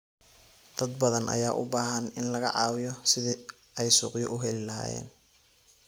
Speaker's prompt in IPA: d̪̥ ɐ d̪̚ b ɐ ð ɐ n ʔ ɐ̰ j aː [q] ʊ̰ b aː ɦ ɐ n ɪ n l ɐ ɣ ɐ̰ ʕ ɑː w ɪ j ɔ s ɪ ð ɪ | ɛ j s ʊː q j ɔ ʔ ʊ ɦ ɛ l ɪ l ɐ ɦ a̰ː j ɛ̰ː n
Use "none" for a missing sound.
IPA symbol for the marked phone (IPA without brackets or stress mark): ʔ